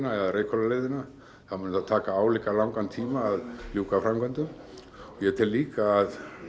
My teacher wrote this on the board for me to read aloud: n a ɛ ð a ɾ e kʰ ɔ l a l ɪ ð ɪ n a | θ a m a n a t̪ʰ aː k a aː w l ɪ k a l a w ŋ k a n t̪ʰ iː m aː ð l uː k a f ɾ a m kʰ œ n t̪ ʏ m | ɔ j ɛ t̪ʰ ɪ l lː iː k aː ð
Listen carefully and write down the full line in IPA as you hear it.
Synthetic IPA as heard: n a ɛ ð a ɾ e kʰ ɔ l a l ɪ ð ɪ n a | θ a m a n a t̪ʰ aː k a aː w l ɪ k a l a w ŋ k a n t̪ʰ iː m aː ð l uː k a f ɾ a m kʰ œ n t̪ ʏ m | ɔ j ɛ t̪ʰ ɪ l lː iː k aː ð